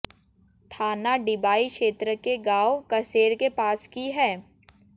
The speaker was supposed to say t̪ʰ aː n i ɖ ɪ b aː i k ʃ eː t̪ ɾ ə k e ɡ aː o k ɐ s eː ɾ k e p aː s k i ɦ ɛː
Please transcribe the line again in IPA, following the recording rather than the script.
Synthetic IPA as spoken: t̪ʰ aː n a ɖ ɪ b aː i k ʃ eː t̪ ɾ ə k e ɡ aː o k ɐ s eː ɾ k e p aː s k i ɦ ɛː

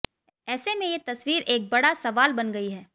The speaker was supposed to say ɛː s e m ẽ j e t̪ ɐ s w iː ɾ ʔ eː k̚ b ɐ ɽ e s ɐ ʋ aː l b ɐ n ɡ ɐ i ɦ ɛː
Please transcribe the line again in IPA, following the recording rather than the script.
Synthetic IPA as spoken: ɛː s e m ẽ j e t̪ ɐ s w iː ɾ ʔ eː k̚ b ɐ ɽ a s ɐ ʋ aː l b ɐ n ɡ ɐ i ɦ ɛː

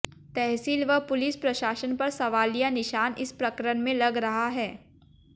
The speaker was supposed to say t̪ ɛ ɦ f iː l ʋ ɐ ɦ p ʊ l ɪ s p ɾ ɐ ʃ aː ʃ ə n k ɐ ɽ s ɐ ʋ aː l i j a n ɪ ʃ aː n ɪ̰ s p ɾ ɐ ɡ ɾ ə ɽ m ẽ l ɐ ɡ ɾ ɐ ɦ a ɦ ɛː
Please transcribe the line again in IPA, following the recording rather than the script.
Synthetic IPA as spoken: t̪ ɛ ɦ s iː l ʋ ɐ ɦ p ʊ l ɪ s p ɾ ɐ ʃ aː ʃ ə n p ɐ ɾ s ɐ ʋ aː l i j a n ɪ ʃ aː n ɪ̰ s p ɾ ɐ k ɾ ə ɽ m ẽ l ɐ ɡ ɾ ɐ ɦ a ɦ ɛː

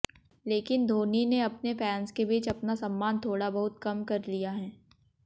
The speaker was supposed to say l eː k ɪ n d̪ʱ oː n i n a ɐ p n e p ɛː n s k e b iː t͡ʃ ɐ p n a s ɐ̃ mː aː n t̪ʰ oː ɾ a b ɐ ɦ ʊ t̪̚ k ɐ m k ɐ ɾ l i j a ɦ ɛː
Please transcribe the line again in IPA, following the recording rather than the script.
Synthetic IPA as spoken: l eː k ɪ n d̪ʱ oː n i n e ɐ p n e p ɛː n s k e b iː t͡ʃ ɐ p n a s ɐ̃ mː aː n t̪ʰ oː ɽ a b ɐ ɦ ʊ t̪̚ k ɐ m k ɐ ɾ l i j a ɦ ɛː

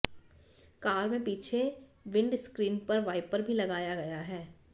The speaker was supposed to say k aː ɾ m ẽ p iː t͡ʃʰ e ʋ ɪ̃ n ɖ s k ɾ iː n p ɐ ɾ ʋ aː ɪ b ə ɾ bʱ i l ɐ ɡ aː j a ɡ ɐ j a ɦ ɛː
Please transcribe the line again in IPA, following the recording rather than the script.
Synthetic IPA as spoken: k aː ɾ m ẽ p iː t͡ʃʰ e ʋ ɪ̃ ɳ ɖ s k ɾ iː n p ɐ ɾ ʋ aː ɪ p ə ɾ bʱ i l ɐ ɡ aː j a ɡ ɐ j a ɦ ɛː

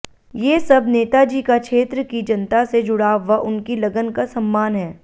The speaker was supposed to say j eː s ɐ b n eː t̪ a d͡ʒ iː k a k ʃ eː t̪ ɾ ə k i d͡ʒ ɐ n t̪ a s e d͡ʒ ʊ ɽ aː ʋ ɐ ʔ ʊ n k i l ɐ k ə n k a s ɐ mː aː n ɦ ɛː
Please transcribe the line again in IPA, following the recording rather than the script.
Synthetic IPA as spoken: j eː s ɐ b n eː t̪ a d͡ʒ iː k a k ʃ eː t̪ ɾ ə k i d͡ʒ ɐ n t̪ a s e d͡ʒ ʊ ɽ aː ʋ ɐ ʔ ʊ n k i l ɐ ɡ ə n k a s ɐ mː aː n ɦ ɛː

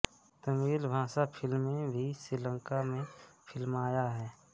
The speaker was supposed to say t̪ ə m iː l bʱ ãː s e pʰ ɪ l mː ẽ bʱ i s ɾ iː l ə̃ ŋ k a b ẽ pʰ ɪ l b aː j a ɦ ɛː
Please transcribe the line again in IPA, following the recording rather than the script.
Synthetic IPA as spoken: t̪ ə m iː l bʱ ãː s a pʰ ɪ l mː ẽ bʱ i s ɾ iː l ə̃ ŋ k a m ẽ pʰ ɪ l m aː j a ɦ ɛː

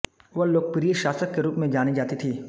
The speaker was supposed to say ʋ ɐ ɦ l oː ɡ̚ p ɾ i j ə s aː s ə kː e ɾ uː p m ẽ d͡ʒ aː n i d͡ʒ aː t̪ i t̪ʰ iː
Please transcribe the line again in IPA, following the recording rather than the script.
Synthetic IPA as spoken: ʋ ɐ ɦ l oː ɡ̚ p ɾ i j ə ʃ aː s ə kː e ɾ uː p m ẽ d͡ʒ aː n i d͡ʒ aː t̪ i t̪ʰ iː

